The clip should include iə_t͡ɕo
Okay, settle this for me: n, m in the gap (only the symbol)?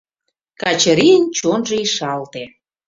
n